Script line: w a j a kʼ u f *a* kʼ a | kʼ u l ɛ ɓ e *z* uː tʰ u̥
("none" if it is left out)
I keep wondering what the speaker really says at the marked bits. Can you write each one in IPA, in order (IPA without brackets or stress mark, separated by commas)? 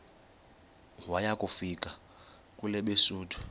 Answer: i, s